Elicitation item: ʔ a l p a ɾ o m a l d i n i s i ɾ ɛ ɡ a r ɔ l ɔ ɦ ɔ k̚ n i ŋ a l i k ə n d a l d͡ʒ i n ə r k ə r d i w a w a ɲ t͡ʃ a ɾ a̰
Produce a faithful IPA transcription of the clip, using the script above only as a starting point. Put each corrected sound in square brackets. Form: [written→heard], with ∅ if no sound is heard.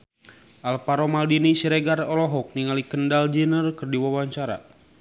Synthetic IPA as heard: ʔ a l p a ɾ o m a l d i n i s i ɾ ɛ ɡ a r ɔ l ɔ ɦ ɔ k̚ n i ŋ a l i k ə n d a l d͡ʒ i n ə r k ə r d i w a w a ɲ t͡ʃ a ɾ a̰

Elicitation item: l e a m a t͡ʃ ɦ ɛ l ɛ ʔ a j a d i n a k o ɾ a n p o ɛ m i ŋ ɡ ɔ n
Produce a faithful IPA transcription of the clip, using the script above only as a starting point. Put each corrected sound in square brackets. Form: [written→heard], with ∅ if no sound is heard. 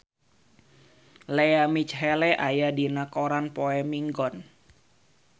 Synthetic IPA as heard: l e a m [a→i] t͡ʃ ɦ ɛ l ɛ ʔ a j a d i n a k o ɾ a n p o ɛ m i ŋ ɡ ɔ n

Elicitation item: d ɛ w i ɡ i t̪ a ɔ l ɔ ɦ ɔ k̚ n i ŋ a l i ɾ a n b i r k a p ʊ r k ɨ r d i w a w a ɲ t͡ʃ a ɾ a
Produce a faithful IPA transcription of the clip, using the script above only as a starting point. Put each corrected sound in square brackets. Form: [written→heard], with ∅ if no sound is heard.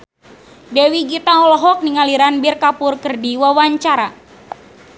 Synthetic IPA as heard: d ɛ w i ɡ i t̪ a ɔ l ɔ ɦ ɔ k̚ n i ŋ a l i ɾ a n b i r k a p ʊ r k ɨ r d i w a w a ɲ t͡ʃ a ɾ a

